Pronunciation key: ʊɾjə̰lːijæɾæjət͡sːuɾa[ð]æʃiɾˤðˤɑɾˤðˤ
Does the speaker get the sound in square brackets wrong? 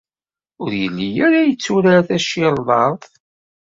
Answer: yes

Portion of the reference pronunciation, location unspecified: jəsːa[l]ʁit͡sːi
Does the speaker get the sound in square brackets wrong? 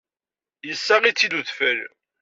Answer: yes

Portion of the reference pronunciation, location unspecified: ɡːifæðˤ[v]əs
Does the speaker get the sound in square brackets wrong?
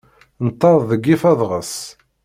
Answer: yes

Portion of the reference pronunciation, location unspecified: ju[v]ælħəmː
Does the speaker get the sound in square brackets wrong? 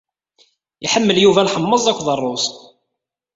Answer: no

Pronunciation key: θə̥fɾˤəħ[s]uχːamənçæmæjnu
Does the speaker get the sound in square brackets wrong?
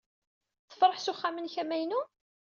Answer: no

